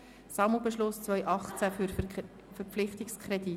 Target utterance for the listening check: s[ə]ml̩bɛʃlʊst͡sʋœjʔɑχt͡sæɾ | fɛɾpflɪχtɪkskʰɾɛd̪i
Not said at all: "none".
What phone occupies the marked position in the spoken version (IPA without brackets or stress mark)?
ɑ